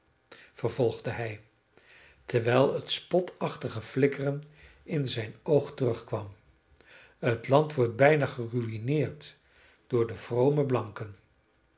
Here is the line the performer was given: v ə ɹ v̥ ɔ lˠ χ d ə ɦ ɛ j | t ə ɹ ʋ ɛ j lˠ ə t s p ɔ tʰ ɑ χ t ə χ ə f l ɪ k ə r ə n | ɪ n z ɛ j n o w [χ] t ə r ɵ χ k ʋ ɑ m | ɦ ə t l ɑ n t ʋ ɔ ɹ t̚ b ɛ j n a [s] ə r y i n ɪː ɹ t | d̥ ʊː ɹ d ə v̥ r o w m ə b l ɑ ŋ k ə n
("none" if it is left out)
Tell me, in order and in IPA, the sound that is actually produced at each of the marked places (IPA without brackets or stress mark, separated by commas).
χ, χ